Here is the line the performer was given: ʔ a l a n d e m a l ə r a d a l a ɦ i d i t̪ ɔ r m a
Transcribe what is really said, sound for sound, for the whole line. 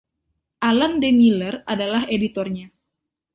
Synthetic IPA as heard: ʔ a l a n d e m i l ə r a d a l a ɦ e d i t̪ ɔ r ɲ a

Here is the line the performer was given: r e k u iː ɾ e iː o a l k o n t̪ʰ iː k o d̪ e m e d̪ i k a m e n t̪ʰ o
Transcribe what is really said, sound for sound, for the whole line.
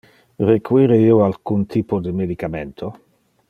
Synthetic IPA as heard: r e k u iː ɾ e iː o a l k u n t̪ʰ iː p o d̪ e m e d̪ i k a m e n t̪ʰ o

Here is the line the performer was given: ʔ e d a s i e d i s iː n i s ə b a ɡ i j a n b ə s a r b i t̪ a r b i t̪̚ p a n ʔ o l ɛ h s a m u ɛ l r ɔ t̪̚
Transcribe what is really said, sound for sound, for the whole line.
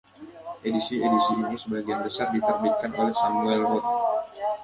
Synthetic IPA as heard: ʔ e d i s i e d i s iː n i s ə b a ɡ i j a n b ə s a r d i t̪ ə r b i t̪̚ k a n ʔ o l ɛ h s a m u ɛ l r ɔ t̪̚

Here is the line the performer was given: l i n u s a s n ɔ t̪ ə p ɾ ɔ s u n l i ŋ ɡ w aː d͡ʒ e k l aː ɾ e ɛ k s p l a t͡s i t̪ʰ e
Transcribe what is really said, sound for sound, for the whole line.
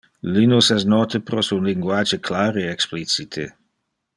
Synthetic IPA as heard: l i n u s ɛ s n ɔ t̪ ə p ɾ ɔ s u n l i ŋ ɡ w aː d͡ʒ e k l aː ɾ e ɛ k s p l i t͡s i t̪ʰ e

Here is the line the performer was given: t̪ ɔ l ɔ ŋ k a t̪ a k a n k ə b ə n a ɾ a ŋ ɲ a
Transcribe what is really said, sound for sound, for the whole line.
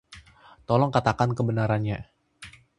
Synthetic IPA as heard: t̪ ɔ l ɔ ŋ k a t̪ a k a n k ə b ə n a ɾ a n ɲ a

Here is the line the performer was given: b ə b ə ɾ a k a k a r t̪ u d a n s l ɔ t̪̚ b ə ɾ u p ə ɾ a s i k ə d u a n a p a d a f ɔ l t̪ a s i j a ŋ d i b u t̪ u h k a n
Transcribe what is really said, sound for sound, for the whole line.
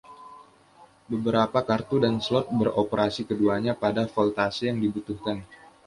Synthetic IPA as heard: b ə b ə ɾ a p a k a r t̪ u d a n s l ɔ t̪̚ b ə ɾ o p ə ɾ a s i k ə d u a ɲ a p a d a f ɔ l t̪ a s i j a ŋ d i b u t̪ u h k a n

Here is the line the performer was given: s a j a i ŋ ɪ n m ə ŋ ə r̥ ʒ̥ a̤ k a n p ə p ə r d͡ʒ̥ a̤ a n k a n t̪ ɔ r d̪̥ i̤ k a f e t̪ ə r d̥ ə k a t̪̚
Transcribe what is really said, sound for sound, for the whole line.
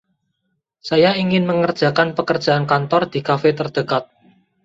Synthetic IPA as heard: s a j a i ŋ ɪ n m ə ŋ ə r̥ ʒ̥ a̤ k a n p ə k ə r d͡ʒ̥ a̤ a n k a n t̪ ɔ r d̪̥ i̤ k a f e t̪ ə r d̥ ə k a t̪̚

